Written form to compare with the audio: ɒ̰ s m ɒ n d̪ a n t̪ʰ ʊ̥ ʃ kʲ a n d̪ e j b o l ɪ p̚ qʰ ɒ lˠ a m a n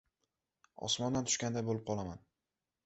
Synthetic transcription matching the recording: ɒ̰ s m ɒ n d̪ a n t̪ʰ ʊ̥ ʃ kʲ a n d̪ a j b o l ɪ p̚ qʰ ɒ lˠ a m a n